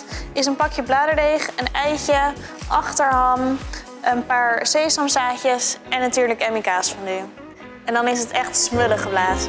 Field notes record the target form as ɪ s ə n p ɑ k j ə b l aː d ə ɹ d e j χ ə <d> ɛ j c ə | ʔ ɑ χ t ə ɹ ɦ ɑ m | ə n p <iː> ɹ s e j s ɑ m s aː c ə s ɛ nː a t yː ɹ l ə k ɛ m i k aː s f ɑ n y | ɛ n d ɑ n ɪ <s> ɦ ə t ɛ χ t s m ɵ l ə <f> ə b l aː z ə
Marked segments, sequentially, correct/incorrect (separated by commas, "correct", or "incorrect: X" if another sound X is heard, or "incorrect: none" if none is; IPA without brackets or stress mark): incorrect: n, incorrect: aː, correct, incorrect: χ